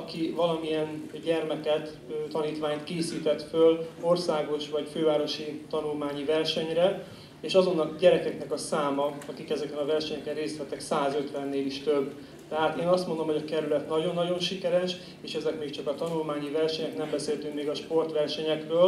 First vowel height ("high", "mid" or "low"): low